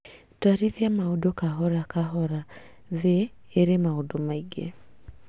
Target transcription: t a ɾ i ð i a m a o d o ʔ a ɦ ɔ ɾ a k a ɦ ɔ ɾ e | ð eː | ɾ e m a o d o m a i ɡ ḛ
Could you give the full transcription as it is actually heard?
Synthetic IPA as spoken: t a ɾ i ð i a m a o d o k a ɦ ɔ ɾ a k a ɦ ɔ ɾ a | ð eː | ɾ e m a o d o m a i ɡ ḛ